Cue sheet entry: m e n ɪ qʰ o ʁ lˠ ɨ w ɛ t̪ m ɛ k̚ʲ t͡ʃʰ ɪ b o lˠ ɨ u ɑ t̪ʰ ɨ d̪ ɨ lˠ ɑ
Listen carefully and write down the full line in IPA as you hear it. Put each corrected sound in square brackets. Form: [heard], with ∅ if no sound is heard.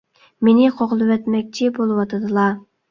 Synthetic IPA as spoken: m e n ɪ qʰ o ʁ lˠ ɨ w ɛ t̪ m ɛ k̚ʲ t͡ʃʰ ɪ b o lˠ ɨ [w] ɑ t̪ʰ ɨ d̪ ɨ lˠ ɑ